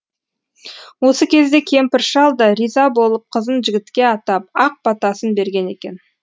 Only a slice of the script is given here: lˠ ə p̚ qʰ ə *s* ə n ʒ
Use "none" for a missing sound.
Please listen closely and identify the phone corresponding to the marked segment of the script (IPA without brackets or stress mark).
z